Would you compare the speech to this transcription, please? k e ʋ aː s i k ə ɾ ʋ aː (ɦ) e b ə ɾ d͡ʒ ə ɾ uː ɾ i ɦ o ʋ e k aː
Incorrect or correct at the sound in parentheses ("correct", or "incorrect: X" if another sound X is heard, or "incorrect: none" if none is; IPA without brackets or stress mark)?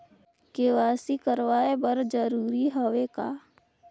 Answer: incorrect: none